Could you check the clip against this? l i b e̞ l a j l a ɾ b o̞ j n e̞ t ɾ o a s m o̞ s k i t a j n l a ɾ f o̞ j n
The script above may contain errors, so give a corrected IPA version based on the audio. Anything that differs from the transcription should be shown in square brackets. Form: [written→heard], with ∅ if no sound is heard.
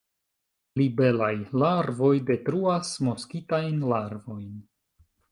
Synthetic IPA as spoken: l i b e̞ l a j l a ɾ [b→v] o̞ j [n→d] e̞ t ɾ [o→u] a s m o̞ s k i t a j n l a ɾ [f→v] o̞ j n

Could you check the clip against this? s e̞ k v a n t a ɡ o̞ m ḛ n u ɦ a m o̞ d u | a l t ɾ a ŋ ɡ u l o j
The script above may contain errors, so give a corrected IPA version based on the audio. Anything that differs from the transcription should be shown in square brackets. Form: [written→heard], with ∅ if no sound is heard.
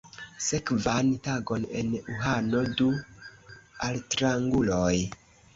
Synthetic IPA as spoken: s e̞ k v a n t a ɡ o̞ [m→n] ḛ n u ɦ a [m→n] o̞ d u | a l t ɾ a ŋ ɡ u l o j

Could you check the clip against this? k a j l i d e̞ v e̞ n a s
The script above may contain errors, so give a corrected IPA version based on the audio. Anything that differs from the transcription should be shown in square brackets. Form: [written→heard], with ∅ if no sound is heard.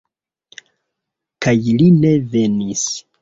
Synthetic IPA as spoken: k a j l i [d→n] e̞ v e̞ n [a→i] s

